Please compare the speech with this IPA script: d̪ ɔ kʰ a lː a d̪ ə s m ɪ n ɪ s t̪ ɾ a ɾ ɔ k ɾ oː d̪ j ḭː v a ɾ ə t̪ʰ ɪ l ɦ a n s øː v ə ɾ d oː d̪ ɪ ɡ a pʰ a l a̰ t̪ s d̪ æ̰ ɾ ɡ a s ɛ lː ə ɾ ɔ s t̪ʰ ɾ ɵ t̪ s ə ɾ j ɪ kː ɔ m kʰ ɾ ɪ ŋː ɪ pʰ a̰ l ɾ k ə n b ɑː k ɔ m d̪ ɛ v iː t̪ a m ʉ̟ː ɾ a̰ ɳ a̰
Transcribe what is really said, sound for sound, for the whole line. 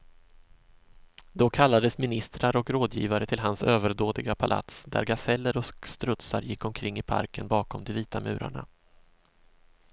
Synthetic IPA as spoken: d̪ ɔ kʰ a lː a d̪ ə s m ɪ n ɪ s t̪ ɾ a ɾ ɔ k ɾ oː d̪ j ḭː v a ɾ ə t̪ʰ ɪ l ɦ a n s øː v ə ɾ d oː d̪ ɪ ɡ a pʰ a l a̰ t̪ s d̪ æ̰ ɾ ɡ a s ɛ lː ə ɾ ɔ s t̪ ɾ ɵ t̪ s a ɾ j ɪ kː ɔ m kʰ ɾ ɪ ŋː ɪ pʰ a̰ ɾ k ə n b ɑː k ɔ m d̪ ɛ v iː t̪ a m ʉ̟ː ɾ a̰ ɳ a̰